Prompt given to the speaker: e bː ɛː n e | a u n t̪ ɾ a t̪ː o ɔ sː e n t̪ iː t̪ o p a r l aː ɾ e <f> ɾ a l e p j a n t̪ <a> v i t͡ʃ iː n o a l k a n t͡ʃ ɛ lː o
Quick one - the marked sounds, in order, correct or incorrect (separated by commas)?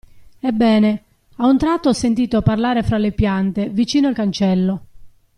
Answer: correct, incorrect